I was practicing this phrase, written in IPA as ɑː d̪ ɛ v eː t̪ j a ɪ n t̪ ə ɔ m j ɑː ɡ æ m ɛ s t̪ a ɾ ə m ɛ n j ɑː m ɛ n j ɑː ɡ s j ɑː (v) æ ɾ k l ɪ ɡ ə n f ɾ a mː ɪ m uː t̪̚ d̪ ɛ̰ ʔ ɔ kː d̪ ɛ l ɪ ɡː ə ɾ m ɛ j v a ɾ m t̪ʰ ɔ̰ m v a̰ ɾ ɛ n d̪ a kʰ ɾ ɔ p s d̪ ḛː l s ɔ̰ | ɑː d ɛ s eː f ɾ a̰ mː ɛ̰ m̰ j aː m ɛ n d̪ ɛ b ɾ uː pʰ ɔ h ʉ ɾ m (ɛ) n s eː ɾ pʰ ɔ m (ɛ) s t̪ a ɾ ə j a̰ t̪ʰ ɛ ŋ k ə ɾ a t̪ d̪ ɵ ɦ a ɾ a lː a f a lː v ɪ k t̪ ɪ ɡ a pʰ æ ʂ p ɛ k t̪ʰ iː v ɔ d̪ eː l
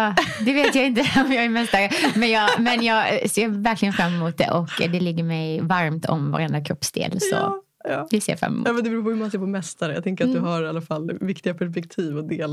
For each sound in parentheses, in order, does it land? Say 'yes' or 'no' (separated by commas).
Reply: yes, no, yes